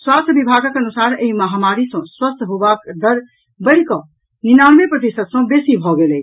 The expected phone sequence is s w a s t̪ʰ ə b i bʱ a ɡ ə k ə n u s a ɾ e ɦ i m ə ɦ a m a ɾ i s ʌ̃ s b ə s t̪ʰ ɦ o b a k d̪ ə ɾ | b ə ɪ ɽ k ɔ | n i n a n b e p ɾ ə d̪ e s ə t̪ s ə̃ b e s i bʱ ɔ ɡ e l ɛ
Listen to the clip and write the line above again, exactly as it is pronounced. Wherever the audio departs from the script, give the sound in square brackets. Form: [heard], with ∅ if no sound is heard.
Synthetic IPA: s w a s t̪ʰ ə b i bʱ a ɡ ə k ə n u s a ɾ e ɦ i m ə ɦ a m a ɾ i s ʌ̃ s [w] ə s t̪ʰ ɦ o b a k d̪ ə ɾ | b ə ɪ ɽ k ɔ | n i n a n [m] e p ɾ ə d̪ e s ə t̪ s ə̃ b e s i bʱ ɔ ɡ e l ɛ

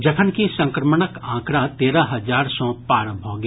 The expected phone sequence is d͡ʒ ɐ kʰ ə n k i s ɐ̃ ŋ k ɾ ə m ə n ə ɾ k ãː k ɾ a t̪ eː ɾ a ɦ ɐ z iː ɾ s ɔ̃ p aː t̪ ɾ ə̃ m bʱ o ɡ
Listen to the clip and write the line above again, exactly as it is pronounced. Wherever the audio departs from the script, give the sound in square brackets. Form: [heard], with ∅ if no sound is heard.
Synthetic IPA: d͡ʒ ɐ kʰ ə n k i s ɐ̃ ŋ k ɾ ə m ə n ə [∅] k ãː k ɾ a t̪ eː ɾ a ɦ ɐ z [aː] ɾ s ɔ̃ p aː [∅] ɾ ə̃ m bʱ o ɡ

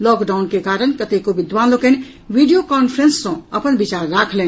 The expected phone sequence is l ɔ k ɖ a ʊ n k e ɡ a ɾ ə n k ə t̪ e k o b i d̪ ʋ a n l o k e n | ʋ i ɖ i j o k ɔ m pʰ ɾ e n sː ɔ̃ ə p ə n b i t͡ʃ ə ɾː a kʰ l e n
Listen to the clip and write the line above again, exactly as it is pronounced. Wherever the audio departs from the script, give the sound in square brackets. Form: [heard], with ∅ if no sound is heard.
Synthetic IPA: l ɔ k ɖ a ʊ n k e [k] a ɾ ə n k ə t̪ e k o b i d̪ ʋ a n l o k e n | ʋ i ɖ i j o k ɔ [n] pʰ ɾ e n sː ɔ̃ ə p ə n b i t͡ʃ [a] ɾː a kʰ l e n

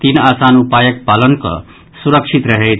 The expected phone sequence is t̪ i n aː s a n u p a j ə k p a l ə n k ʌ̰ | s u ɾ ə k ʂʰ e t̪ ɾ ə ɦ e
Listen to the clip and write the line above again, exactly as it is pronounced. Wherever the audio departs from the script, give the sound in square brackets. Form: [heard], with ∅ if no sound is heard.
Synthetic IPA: t̪ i n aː s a n u p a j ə k p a l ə n k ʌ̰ | s u ɾ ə k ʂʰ [i] t̪ ɾ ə ɦ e

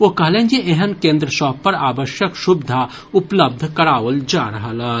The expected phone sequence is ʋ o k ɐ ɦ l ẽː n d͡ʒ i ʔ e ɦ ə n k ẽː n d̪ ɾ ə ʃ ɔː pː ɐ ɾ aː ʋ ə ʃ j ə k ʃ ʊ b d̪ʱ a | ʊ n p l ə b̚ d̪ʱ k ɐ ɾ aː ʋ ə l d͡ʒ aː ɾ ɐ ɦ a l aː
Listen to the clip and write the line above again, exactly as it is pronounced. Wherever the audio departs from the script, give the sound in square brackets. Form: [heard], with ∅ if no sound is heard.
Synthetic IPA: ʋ o k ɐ ɦ l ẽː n d͡ʒ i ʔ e ɦ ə n k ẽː n d̪ ɾ ə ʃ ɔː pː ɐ ɾ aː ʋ ə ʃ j ə k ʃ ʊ b d̪ʱ a | ʊ [∅] p l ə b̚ d̪ʱ k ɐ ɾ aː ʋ ə l d͡ʒ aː ɾ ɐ ɦ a l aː

